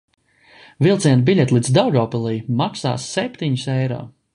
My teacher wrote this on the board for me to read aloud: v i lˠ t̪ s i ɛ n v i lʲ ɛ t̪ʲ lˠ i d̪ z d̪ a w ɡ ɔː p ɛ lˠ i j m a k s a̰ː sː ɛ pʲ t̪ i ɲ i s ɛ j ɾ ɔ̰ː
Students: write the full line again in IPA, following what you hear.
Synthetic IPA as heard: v i lˠ t̪ s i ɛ n b i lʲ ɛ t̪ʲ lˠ i d̪ z d̪ a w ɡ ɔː p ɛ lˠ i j m a k s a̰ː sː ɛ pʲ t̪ i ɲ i s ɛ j ɾ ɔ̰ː